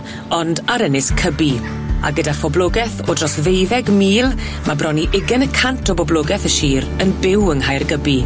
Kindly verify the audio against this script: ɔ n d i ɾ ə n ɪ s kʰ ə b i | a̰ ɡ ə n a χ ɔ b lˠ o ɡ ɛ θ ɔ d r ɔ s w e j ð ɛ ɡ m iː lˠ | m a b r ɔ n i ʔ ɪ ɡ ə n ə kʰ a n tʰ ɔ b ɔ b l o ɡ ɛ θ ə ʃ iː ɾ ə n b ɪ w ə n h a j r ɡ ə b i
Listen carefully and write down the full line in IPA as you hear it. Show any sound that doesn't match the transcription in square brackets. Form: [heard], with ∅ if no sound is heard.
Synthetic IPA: ɔ n d [a] ɾ ə n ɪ s kʰ ə b i | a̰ ɡ ə [d] a [f] ɔ b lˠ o ɡ ɛ θ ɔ d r ɔ s [v] e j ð ɛ ɡ m iː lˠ | m a b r ɔ n i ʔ ɪ ɡ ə n ə kʰ a n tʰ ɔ b ɔ b l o ɡ ɛ θ ə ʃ iː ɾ ə n b ɪ w ə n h a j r ɡ ə b i